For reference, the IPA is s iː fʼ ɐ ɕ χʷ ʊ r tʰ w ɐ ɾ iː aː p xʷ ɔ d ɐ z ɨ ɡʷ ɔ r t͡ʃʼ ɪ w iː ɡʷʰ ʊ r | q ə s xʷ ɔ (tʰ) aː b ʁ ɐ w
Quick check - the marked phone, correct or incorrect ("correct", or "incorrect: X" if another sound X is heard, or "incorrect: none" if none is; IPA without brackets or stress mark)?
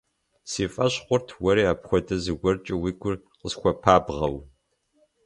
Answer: incorrect: pʰ